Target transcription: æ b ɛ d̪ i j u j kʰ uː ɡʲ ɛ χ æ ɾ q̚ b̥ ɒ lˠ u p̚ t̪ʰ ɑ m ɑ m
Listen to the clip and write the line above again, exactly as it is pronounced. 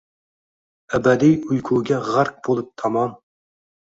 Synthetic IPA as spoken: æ b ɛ d̪ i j u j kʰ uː ɡʲ ɛ ʁ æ ɾ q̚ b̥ o lˠ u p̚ t̪ʰ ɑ m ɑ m